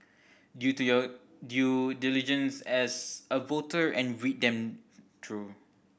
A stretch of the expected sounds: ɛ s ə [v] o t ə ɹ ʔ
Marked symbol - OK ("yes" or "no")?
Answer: yes